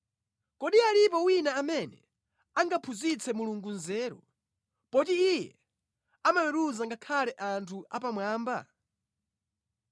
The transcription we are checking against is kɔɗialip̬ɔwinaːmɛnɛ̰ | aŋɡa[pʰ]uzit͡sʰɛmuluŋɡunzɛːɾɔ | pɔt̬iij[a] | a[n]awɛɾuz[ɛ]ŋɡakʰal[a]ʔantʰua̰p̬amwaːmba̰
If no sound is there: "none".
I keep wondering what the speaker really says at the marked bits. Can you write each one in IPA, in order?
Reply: pʰ, ɛ, m, a, ɛ

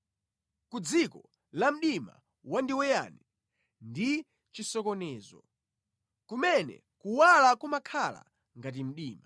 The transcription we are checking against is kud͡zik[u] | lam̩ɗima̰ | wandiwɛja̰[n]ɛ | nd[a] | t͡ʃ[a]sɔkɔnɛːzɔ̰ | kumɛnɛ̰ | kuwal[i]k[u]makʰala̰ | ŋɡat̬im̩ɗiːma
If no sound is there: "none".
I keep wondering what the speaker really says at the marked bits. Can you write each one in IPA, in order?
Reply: ɔ, n, i, i, a, u

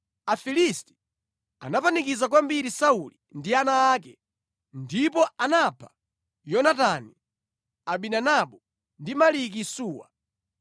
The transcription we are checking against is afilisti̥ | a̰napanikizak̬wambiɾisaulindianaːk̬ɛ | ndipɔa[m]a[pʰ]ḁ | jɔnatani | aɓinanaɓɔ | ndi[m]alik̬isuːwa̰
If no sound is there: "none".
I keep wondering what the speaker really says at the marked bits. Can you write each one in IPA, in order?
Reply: n, pʰ, m

